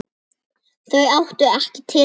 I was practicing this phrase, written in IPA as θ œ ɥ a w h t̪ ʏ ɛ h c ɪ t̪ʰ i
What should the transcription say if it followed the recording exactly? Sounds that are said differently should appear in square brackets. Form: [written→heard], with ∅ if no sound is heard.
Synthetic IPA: θ œ ɥ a w h t̪ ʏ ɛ h c ɪ t̪ʰ [i→ɪ]